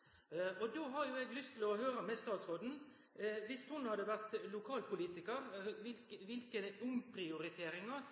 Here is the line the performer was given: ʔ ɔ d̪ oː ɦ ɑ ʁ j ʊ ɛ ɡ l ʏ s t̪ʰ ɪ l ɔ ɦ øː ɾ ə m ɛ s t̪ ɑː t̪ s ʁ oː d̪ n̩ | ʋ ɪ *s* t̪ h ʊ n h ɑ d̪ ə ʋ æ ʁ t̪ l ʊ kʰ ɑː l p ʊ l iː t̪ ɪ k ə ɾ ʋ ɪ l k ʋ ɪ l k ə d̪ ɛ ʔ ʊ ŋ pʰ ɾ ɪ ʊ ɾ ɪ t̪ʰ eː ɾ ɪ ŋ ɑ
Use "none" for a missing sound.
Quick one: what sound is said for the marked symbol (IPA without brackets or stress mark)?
s